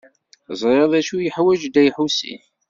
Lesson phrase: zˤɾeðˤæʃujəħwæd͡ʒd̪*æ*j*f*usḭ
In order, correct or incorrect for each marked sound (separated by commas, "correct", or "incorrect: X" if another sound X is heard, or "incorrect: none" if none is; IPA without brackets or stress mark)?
correct, incorrect: ħ